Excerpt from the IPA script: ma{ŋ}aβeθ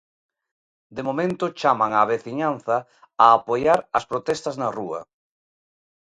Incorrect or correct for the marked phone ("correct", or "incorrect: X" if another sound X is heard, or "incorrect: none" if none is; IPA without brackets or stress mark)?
correct